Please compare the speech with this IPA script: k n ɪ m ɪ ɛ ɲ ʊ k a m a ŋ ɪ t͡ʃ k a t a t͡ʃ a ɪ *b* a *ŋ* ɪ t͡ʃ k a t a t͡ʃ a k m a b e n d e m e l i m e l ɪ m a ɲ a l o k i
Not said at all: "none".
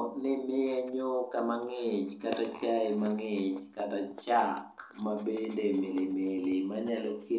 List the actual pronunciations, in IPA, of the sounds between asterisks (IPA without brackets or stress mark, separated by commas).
m, ŋ